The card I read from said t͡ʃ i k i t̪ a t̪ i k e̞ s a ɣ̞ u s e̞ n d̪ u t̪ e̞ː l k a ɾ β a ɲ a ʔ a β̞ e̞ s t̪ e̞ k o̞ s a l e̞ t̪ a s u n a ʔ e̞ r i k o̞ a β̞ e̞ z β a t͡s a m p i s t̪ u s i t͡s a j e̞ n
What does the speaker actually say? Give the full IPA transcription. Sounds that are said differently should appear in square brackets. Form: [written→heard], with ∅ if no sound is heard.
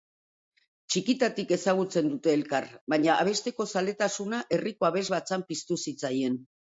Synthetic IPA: t͡ʃ i k i t̪ a t̪ i k e̞ s a ɣ̞ u [s→t͡s] e̞ n d̪ u t̪ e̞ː l k a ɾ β a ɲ a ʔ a β̞ e̞ s t̪ e̞ k o̞ s a l e̞ t̪ a s u n a ʔ e̞ r i k o̞ a β̞ e̞ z β a t͡s a m p i s t̪ u s i t͡s a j e̞ n

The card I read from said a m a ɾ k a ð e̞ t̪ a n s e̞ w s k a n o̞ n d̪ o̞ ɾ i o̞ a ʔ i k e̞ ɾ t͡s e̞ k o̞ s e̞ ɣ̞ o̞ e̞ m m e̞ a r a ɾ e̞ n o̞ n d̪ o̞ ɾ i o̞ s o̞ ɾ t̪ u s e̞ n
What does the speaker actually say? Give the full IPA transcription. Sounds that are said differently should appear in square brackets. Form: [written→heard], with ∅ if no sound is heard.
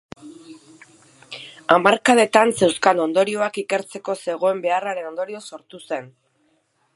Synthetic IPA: a m a ɾ k a ð e̞ t̪ a n s e̞ w s k a n o̞ n d̪ o̞ ɾ i o̞ a [ʔ→k] i k e̞ ɾ t͡s e̞ k o̞ s e̞ ɣ̞ o̞ e̞ m [m→b] e̞ a r a ɾ e̞ n o̞ n d̪ o̞ ɾ i o̞ s o̞ ɾ t̪ u s e̞ n

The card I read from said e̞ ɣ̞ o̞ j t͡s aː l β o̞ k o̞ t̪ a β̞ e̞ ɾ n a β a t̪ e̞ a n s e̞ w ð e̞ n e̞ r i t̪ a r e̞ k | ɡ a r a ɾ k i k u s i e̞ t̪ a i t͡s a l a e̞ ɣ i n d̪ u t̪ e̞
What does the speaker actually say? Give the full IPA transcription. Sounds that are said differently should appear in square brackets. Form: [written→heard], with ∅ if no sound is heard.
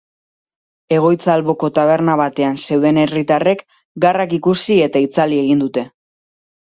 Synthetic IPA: e̞ ɣ̞ o̞ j t͡s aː l β o̞ k o̞ t̪ a β̞ e̞ ɾ n a β a t̪ e̞ a n s e̞ w ð e̞ n e̞ r i t̪ a r e̞ k | ɡ a r a [ɾ→∅] k i k u s i e̞ t̪ a i t͡s a l [a→i] e̞ ɣ i n d̪ u t̪ e̞

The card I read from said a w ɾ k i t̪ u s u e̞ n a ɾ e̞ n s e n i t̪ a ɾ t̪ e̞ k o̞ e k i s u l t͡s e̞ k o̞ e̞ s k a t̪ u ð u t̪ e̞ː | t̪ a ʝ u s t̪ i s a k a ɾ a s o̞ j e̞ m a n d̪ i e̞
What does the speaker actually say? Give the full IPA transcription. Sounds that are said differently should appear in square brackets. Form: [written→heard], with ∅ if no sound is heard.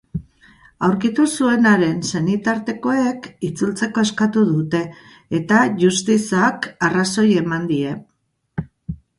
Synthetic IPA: a w ɾ k i t̪ u s u e̞ n a ɾ e̞ n s e n i t̪ a ɾ t̪ e̞ k o̞ e k i [s→t͡s] u l t͡s e̞ k o̞ e̞ s k a t̪ u ð u t̪ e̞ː | t̪ a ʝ u s t̪ i s a k a [ɾ→r] a s o̞ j e̞ m a n d̪ i e̞

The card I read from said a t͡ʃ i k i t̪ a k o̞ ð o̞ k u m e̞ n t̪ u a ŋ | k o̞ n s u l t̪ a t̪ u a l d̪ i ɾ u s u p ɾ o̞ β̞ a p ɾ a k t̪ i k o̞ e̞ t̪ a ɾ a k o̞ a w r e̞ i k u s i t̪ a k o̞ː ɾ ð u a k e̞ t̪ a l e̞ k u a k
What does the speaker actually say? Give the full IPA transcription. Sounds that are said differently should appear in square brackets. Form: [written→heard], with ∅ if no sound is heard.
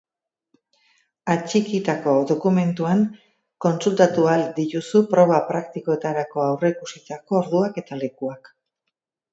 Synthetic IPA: a t͡ʃ i k i t̪ a k o̞ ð o̞ k u m e̞ n t̪ u a ŋ | k o̞ n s u l t̪ a t̪ u a l d̪ i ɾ u s u p ɾ o̞ β̞ a p ɾ a k t̪ i k o̞ e̞ t̪ a ɾ a k o̞ a w r e̞ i k u s i t̪ a k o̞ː ɾ ð u a k e̞ t̪ a l e̞ k u a k

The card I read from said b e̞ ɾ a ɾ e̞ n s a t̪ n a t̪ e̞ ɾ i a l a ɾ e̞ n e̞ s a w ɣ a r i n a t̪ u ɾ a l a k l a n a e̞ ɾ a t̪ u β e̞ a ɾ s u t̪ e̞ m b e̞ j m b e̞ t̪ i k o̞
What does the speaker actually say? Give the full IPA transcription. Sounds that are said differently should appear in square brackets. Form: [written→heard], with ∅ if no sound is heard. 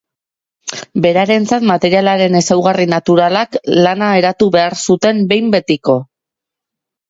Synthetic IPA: b e̞ ɾ a ɾ e̞ n [s→t͡s] a t̪ [n→m] a t̪ e̞ ɾ i a l a ɾ e̞ n e̞ s a w ɣ a r i n a t̪ u ɾ a l a k l a n a e̞ ɾ a t̪ u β e̞ a ɾ s u t̪ e̞ m b e̞ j m b e̞ t̪ i k o̞

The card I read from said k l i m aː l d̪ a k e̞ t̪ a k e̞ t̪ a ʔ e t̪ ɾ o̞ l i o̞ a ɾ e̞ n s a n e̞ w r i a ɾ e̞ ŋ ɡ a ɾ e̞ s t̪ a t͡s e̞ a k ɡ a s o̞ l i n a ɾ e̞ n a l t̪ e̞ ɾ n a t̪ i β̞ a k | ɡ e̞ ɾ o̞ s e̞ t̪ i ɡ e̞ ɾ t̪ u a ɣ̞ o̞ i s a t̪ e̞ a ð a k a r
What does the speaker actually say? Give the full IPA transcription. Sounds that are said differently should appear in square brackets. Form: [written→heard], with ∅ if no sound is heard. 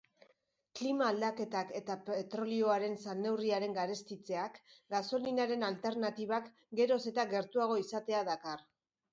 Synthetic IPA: k l i m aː l d̪ a k e̞ t̪ a k e̞ t̪ a [ʔ→p] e t̪ ɾ o̞ l i o̞ a ɾ e̞ n s a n e̞ w r i a ɾ e̞ ŋ ɡ a ɾ e̞ s t̪ [a→i] t͡s e̞ a k ɡ a s o̞ l i n a ɾ e̞ n a l t̪ e̞ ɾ n a t̪ i β̞ a k | ɡ e̞ ɾ o̞ s e̞ t̪ [i→a] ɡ e̞ ɾ t̪ u a ɣ̞ o̞ i s a t̪ e̞ a ð a k a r

